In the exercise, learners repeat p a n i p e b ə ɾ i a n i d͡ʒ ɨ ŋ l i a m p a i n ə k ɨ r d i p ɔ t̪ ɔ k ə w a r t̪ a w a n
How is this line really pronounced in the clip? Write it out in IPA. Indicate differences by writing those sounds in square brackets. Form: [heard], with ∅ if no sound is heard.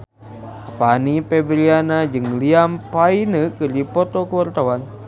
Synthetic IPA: p a n i p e b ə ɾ i a n [a] d͡ʒ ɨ ŋ l i a m p a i n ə k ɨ r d i p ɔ t̪ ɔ k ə w a r t̪ a w a n